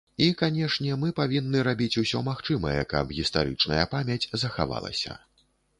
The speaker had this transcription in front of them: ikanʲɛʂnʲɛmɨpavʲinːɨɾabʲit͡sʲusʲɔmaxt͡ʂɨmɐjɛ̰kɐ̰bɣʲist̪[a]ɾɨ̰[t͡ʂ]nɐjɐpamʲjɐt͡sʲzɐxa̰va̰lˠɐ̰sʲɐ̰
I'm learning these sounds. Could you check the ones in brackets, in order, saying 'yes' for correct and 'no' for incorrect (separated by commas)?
yes, yes